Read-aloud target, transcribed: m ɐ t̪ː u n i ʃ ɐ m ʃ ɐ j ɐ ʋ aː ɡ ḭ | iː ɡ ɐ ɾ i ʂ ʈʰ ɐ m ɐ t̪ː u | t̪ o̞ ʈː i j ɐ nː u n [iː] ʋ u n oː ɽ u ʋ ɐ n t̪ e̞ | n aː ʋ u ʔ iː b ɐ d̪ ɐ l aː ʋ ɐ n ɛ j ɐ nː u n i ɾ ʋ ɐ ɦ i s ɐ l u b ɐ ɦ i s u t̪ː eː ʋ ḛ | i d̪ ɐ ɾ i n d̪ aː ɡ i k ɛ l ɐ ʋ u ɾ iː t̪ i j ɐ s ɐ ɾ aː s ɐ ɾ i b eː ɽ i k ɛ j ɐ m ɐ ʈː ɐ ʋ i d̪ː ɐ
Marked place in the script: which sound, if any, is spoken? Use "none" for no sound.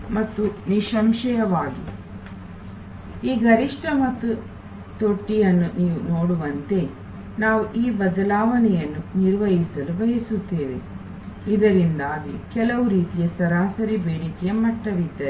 iː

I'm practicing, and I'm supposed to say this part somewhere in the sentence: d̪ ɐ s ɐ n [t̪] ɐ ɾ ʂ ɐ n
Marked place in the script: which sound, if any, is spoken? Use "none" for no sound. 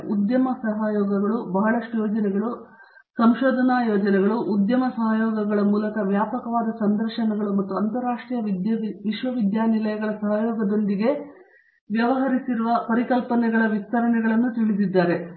d̪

